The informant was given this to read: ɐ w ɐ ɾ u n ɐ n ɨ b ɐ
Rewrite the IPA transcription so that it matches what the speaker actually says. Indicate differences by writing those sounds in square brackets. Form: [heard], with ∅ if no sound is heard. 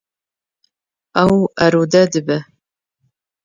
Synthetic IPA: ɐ w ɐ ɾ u [d] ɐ [d] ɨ b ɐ